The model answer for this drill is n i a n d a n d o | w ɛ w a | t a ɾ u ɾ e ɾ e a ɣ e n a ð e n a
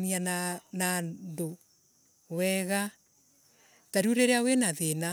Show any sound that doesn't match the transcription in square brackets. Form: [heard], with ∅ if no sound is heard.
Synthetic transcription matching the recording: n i a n [n] a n d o | w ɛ [ɣ] a | t a ɾ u ɾ e ɾ e a [w] e n a ð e n a